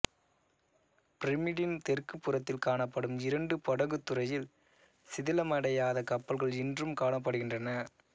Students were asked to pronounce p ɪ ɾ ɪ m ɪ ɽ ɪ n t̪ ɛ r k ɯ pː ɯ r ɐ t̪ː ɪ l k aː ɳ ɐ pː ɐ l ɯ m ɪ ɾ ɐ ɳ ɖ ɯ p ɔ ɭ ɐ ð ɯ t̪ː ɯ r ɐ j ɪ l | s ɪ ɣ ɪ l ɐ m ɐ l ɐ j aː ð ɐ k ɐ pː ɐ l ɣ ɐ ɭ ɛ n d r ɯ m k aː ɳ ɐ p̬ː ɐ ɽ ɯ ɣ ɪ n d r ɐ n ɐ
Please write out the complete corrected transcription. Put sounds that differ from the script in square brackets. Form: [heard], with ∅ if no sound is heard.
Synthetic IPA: p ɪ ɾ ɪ m ɪ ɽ ɪ n t̪ ɛ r k ɯ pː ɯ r ɐ t̪ː ɪ l k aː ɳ ɐ pː ɐ [ɽ] ɯ m ɪ ɾ ɐ ɳ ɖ ɯ p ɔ [ɽ] ɐ [ɣ] ɯ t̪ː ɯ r ɐ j ɪ l | s ɪ [ð] ɪ l ɐ m ɐ [ɽ] ɐ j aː ð ɐ k ɐ pː ɐ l ɣ ɐ ɭ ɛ n d r ɯ m k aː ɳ ɐ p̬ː ɐ ɽ ɯ ɣ ɪ n d r ɐ n ɐ